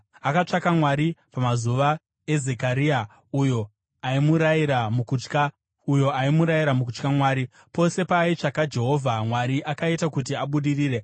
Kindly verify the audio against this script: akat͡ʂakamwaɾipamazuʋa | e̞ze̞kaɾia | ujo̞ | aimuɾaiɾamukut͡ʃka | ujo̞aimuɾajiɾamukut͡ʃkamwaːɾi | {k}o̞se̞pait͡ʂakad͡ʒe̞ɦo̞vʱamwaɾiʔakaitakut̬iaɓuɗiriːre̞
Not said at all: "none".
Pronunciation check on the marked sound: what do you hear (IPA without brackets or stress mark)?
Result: p